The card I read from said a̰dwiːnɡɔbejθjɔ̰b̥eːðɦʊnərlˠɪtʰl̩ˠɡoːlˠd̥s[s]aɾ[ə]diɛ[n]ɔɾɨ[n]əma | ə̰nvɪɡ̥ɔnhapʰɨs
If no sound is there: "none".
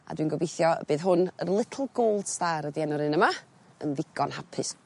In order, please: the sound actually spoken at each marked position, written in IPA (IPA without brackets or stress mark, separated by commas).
t, ə, n, n